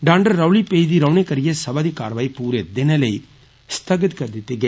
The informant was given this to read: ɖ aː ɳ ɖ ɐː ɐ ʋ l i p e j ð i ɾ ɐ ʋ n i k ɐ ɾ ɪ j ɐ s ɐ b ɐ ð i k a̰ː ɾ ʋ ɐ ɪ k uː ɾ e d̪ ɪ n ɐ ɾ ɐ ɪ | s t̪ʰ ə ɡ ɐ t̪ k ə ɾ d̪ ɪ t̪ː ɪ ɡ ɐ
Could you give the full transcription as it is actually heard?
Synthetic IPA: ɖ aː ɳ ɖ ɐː ɐ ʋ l i p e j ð i ɾ ɐ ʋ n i k ɐ ɾ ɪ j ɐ s ɐ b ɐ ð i k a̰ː ɾ ʋ ɐ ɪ p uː ɾ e d̪ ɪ n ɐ l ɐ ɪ | s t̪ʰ ɐ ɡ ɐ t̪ k ɐ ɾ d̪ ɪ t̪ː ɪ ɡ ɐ